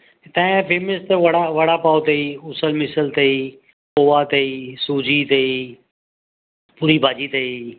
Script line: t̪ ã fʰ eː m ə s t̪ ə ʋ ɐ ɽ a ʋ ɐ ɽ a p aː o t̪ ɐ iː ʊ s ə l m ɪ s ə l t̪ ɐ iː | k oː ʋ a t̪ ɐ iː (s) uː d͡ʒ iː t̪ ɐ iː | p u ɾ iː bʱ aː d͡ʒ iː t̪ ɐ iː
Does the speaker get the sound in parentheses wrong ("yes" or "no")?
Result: no